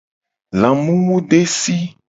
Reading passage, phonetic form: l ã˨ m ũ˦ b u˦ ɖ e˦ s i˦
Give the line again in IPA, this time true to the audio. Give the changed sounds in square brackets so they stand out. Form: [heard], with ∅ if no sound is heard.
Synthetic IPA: l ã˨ m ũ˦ [w] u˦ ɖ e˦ s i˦

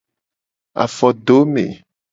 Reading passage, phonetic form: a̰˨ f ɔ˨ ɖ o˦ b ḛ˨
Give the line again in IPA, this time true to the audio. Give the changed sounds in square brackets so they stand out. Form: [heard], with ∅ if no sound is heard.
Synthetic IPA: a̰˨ f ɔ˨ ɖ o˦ [m] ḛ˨

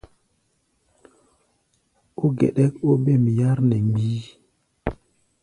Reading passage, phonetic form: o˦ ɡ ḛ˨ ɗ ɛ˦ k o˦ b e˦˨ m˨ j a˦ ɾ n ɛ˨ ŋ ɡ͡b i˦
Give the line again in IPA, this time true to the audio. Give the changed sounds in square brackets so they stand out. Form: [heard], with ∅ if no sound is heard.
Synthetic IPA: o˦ ɡ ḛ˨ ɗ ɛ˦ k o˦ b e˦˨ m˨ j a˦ ɾ n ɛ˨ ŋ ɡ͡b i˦

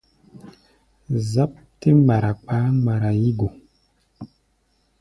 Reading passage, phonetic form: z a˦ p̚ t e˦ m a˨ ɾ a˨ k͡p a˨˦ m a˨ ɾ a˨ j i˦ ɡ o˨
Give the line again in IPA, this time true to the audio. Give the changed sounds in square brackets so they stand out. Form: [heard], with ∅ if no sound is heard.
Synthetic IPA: z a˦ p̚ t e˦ m a˨ ɾ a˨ k͡p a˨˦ m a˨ ɾ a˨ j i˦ ɡ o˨

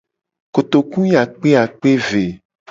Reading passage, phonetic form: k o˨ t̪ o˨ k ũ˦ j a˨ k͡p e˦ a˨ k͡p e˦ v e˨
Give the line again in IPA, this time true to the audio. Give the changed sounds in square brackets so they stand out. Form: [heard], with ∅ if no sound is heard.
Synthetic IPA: k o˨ t̪ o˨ k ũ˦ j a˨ k͡p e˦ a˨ k͡p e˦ v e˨

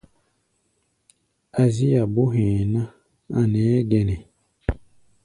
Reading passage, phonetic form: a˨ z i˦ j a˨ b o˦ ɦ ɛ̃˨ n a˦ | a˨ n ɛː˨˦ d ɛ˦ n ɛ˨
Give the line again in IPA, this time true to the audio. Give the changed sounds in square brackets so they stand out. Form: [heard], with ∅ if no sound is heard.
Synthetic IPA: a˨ z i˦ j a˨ b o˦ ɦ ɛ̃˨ n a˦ | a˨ n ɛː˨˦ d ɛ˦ n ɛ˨

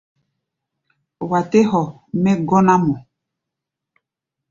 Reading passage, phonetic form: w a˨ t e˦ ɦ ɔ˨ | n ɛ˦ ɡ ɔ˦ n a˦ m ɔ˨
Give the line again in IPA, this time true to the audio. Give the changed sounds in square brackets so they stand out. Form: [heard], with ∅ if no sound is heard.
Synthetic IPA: w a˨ t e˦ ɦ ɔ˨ | [m] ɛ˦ ɡ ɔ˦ n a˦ m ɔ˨

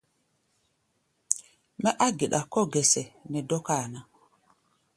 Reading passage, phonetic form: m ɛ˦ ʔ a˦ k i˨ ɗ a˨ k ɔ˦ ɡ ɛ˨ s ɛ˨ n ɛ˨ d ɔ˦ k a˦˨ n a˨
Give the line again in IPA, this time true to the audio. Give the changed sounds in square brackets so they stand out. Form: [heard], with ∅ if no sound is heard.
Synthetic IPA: m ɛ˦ ʔ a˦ [ɡ] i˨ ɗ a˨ k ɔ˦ ɡ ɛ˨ s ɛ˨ n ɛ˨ d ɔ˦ k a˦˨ n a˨

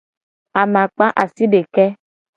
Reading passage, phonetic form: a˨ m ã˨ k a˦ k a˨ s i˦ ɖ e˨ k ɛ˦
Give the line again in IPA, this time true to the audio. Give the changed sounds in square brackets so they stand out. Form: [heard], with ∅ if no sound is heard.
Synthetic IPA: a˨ m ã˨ [k͡p] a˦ [ʔ] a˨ s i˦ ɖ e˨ k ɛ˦

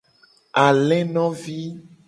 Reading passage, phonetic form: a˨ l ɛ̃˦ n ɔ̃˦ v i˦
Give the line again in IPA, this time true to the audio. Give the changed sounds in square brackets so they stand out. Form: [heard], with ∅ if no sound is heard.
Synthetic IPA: a˨ l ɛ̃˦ n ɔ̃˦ v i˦

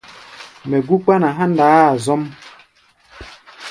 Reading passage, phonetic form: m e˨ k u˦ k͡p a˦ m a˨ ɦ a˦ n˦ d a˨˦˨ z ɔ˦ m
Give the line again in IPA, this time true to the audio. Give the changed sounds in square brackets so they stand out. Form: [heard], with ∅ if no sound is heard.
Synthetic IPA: m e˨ [ɡ] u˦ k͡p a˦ [n] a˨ ɦ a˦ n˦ d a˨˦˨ z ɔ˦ m

